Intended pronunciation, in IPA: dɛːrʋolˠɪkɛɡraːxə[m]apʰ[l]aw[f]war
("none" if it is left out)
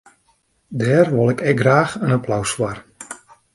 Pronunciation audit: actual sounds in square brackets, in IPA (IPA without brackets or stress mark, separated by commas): n, l, s